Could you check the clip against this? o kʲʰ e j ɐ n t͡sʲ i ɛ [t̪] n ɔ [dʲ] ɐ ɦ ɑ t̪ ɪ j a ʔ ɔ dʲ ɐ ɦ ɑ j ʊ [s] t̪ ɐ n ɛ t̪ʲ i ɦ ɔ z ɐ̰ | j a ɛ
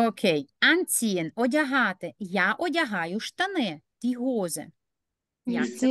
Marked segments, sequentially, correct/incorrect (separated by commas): incorrect, correct, incorrect